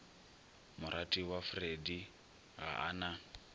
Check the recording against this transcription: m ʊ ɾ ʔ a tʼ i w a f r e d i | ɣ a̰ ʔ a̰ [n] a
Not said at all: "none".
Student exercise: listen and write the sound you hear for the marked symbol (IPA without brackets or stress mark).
n